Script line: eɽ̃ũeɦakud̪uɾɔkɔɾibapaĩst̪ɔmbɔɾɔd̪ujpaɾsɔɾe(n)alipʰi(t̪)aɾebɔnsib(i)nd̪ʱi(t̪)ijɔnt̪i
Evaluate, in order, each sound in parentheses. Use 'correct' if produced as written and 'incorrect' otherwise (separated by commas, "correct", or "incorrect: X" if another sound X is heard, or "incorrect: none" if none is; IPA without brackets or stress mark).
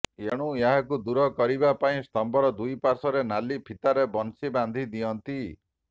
correct, correct, incorrect: a, incorrect: d̪